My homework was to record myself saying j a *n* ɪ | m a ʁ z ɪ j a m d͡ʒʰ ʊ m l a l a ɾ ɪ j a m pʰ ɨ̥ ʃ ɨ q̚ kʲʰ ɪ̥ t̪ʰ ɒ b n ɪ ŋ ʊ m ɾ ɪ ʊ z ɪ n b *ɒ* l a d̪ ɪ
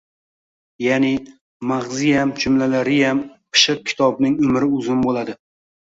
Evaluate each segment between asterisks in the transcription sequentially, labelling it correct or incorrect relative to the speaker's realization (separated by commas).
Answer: correct, incorrect